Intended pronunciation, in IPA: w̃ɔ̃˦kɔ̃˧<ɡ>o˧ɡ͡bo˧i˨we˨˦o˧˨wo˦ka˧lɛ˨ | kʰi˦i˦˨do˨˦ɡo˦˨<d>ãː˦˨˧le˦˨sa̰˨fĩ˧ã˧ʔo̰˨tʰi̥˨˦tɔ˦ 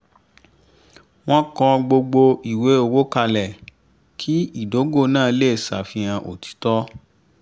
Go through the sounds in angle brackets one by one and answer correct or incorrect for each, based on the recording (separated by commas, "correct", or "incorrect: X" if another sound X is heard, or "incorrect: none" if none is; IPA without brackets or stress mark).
incorrect: ɡ͡b, incorrect: n